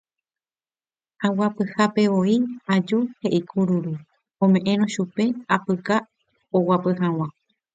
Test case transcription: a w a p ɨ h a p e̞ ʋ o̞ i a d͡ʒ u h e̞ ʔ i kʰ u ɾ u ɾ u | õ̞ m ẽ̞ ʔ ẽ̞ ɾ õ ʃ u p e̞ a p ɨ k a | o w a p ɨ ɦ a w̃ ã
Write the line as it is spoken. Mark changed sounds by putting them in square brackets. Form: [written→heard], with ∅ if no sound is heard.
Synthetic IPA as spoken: a w a p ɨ h a p e̞ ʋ o̞ i a d͡ʒ u h e̞ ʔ i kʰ u ɾ u ɾ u | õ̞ m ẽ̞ ʔ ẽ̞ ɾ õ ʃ u p e̞ a p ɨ k a | o w a p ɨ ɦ a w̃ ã